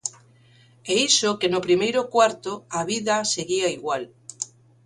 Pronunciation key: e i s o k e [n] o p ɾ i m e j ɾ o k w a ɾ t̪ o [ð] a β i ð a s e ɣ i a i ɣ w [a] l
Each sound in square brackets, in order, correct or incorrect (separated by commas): correct, incorrect, correct